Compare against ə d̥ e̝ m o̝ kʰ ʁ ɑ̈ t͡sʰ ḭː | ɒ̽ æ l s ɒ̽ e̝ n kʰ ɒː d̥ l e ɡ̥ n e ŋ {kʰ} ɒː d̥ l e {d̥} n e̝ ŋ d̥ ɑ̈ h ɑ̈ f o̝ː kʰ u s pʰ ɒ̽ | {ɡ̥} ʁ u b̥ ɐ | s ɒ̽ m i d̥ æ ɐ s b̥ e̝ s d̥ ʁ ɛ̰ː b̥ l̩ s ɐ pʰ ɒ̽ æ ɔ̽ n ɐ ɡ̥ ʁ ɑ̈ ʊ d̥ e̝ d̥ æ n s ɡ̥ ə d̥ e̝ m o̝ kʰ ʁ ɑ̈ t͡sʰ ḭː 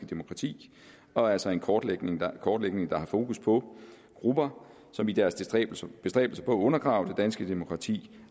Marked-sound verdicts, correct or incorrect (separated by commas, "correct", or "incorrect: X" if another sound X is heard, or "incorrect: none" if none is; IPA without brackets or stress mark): correct, incorrect: ɡ̥, correct